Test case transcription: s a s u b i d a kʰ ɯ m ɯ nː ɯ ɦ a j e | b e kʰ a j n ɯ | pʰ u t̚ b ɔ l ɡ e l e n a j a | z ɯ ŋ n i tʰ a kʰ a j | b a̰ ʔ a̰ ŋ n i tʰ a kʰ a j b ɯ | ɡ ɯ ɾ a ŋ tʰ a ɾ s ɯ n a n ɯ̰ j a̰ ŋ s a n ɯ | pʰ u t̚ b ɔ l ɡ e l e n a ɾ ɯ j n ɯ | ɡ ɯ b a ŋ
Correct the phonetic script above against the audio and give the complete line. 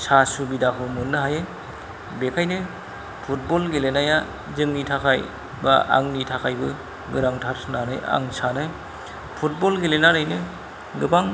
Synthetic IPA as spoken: s a s u b i d a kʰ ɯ m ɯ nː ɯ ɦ a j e | b e kʰ a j n ɯ | pʰ u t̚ b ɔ l ɡ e l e n a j a | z ɯ ŋ n i tʰ a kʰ a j | b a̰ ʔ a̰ ŋ n i tʰ a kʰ a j b ɯ | ɡ ɯ ɾ a ŋ tʰ a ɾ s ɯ n a n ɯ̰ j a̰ ŋ s a n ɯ | pʰ u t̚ b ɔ l ɡ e l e n a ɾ ɯ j n ɯ | ɡ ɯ b a ŋ

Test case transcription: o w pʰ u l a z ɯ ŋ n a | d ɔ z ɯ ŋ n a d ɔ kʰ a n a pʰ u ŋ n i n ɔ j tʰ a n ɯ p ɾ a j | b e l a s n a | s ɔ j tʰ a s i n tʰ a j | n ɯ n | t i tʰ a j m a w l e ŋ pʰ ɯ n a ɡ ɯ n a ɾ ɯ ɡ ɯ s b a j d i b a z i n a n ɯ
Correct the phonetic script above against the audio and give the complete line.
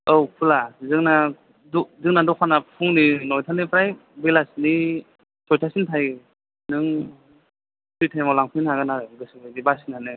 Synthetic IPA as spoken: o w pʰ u l a z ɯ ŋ n a | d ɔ z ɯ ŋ n a d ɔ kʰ a n a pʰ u ŋ n i n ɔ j tʰ a n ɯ p ɾ a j | b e l a s n i | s ɔ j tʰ a s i n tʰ a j | n ɯ ŋ | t i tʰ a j m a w l a ŋ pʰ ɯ n a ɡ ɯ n a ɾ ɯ ɡ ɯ s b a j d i b a s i n a n ɯ

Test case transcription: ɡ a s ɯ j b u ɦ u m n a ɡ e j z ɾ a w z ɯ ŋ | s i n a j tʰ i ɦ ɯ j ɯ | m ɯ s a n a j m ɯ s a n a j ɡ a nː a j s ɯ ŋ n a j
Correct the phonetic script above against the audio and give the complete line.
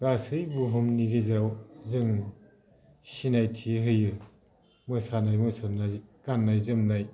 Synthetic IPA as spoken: ɡ a s ɯ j b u ɦ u m n i ɡ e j z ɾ a w z ɯ ŋ | s i n a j tʰ i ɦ ɯ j ɯ | m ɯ s a n a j m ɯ s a n a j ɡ a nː a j z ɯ m n a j

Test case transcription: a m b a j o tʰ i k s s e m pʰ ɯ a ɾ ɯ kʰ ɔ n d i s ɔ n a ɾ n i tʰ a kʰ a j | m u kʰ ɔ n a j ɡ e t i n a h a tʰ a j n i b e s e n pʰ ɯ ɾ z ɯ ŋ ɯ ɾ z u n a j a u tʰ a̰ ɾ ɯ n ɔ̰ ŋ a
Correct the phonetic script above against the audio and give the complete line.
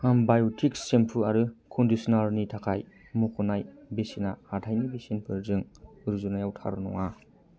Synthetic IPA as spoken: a m b a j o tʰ i k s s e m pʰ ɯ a ɾ ɯ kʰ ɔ n d i s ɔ n a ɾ n i tʰ a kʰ a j | m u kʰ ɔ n a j b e s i n a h a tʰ a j n i b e s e n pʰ ɯ ɾ z ɯ ŋ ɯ ɾ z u n a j a w tʰ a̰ ɾ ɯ n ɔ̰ ŋ a

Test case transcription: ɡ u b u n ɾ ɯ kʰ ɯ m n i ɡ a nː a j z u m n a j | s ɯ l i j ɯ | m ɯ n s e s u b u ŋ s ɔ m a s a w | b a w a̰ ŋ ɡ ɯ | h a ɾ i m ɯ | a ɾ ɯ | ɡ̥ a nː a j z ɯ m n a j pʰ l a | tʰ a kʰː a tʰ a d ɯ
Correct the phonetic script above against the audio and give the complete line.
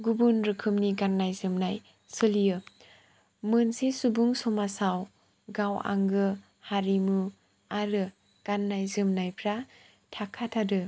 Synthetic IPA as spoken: ɡ u b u n ɾ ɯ kʰ ɯ m n i ɡ a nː a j z ɯ m n a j | s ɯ l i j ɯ | m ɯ n s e s u b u ŋ s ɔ m a s a w | ɡ a w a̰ ŋ ɡ ɯ | h a ɾ i m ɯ | a ɾ ɯ | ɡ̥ a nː a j z ɯ m n a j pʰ ɾ a | tʰ a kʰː a tʰ a d ɯ

